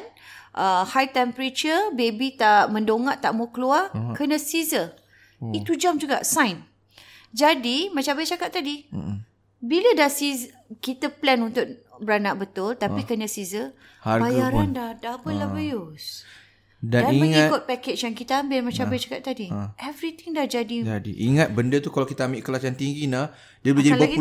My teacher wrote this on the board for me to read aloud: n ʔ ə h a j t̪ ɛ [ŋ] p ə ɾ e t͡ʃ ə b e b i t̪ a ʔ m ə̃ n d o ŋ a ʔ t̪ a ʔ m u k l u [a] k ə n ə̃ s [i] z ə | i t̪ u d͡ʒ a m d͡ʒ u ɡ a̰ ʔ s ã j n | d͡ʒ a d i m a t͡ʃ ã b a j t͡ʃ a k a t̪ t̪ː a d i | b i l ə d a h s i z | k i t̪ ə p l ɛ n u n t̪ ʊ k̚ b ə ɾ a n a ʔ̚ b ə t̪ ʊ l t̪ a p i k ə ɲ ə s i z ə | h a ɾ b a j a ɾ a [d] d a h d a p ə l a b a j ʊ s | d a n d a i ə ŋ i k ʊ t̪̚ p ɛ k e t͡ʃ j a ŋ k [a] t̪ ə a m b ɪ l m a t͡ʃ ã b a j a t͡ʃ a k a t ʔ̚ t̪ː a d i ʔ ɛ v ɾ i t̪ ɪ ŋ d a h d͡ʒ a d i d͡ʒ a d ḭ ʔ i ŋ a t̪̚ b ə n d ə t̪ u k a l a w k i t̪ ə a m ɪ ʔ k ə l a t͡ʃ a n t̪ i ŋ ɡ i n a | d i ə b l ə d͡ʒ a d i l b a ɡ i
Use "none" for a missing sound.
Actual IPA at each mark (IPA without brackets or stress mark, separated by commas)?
m, a, i, n, i